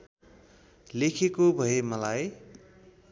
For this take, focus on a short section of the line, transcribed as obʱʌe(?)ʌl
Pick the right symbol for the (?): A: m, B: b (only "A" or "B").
A